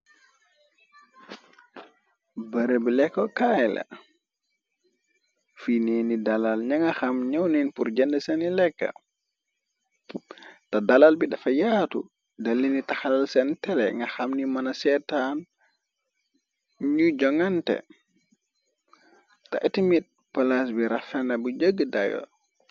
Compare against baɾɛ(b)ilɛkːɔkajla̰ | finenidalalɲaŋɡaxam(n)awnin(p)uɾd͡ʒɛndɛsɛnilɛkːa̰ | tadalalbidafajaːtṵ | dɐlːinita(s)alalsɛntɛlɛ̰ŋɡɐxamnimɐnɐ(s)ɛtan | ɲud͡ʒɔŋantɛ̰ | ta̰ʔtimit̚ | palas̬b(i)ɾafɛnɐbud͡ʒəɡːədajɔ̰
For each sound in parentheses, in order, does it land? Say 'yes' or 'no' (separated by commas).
yes, no, yes, no, yes, yes